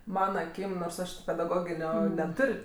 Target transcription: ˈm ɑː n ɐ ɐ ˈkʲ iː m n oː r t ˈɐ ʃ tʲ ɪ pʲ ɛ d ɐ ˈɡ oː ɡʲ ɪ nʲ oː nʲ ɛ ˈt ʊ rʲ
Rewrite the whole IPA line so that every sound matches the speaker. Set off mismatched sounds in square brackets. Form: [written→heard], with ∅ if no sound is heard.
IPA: ˈm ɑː n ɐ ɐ ˈkʲ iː m n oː r [t→s] ˈɐ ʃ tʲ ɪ pʲ ɛ d ɐ ˈɡ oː ɡʲ ɪ nʲ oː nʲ ɛ ˈt ʊ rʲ